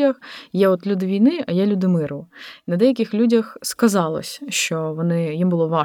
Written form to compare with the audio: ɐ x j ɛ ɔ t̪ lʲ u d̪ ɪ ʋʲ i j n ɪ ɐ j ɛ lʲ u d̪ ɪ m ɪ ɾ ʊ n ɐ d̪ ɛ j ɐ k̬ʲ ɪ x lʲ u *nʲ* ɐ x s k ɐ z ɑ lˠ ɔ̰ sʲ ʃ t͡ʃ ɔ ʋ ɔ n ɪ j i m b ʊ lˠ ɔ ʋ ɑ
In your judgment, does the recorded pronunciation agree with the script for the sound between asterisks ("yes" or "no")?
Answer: no